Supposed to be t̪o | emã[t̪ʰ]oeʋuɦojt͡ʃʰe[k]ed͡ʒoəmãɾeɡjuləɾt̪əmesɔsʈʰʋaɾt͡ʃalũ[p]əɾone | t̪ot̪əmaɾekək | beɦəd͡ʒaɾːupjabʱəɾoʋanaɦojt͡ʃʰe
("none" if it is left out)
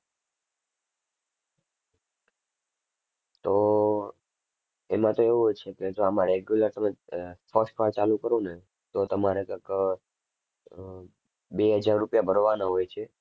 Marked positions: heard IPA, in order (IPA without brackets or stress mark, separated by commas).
t̪, k, k